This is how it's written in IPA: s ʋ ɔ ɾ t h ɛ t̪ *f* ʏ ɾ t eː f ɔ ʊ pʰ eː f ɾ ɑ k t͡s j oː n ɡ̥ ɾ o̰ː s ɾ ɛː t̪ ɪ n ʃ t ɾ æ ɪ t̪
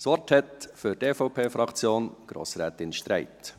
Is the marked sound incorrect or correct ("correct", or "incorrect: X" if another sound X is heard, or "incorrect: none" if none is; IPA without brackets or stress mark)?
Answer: correct